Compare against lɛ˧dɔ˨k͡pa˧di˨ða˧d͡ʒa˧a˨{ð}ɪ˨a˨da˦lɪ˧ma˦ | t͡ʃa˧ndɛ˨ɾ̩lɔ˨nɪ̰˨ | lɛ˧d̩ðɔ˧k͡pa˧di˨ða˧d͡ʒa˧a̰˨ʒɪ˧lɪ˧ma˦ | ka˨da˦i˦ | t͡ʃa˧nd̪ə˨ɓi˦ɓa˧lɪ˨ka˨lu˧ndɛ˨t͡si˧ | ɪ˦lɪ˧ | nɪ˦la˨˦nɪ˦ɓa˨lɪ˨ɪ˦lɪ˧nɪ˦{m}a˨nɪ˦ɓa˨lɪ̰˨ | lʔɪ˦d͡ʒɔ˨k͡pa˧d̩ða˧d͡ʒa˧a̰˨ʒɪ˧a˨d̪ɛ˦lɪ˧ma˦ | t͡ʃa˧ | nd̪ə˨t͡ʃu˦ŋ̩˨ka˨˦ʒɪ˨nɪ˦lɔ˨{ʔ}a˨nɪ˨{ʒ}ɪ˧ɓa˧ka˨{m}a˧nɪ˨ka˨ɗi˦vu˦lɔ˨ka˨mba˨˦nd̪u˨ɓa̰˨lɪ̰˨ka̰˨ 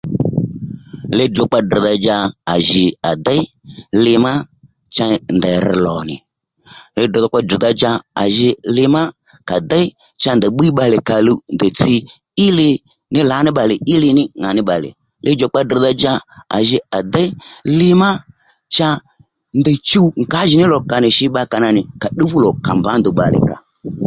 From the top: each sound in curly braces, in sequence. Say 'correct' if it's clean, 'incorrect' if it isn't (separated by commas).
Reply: incorrect, incorrect, incorrect, incorrect, incorrect